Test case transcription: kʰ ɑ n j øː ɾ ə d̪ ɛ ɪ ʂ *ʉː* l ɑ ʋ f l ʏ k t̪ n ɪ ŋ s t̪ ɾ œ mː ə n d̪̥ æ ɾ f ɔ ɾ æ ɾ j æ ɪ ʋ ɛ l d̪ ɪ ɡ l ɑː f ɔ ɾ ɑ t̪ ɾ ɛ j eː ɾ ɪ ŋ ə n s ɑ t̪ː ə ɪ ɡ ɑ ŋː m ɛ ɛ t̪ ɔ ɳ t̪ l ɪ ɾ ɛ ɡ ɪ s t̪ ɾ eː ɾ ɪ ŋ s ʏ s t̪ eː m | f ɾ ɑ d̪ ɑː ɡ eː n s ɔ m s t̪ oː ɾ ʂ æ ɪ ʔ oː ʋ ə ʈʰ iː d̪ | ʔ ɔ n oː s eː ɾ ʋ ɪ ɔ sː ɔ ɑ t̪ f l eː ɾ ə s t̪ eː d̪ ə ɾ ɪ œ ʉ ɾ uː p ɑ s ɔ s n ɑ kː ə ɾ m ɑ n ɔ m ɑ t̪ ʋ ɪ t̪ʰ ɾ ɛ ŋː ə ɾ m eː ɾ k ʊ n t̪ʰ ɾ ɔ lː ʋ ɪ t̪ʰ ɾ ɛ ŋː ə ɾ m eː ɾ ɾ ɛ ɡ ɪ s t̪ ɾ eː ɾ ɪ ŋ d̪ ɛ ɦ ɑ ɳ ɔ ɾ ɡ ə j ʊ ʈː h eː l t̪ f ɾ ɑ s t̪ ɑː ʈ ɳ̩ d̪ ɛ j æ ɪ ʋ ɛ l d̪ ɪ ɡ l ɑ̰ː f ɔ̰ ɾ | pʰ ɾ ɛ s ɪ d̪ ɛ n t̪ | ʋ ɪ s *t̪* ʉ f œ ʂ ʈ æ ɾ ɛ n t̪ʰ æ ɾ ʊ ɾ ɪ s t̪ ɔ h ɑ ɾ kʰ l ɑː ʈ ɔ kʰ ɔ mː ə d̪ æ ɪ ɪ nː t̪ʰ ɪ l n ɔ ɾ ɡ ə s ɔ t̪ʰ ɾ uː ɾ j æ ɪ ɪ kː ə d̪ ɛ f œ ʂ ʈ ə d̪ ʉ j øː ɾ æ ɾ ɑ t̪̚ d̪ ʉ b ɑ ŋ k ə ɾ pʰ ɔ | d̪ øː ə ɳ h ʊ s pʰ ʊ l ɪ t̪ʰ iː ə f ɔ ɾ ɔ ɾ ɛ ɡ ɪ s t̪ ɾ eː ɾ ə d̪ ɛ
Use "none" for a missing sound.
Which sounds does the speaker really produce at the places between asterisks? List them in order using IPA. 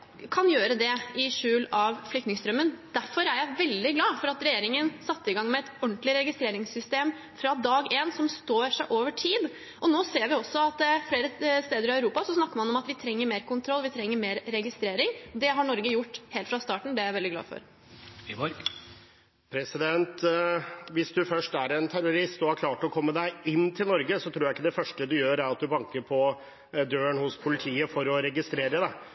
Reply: ʉː, d̪

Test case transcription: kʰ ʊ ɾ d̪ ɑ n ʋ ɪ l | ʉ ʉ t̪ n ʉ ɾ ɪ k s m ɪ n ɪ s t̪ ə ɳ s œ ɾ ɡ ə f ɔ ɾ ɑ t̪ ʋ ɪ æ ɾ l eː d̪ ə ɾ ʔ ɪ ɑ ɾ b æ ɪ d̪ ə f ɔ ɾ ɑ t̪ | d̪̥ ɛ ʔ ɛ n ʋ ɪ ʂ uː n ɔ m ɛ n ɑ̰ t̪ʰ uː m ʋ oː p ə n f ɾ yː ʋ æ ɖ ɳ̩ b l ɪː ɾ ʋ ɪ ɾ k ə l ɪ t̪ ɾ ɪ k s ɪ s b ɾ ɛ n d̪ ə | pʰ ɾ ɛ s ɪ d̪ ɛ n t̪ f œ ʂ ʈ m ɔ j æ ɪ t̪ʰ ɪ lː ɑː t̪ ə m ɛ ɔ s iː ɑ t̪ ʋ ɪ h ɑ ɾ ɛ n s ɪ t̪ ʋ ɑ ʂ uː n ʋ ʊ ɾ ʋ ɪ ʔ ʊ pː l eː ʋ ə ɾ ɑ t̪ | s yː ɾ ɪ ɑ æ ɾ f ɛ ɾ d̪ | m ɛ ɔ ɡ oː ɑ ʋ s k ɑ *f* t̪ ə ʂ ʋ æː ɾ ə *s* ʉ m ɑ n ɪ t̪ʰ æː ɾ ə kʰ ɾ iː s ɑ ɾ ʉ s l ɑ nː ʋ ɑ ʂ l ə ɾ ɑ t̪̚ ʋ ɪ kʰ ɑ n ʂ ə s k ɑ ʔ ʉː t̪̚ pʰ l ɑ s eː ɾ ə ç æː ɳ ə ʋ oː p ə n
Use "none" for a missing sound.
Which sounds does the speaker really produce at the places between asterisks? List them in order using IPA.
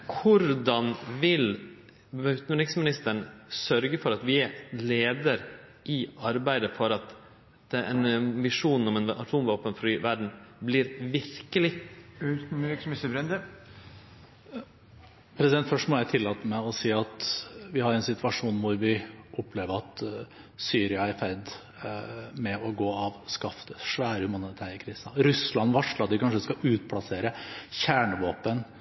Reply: f, h

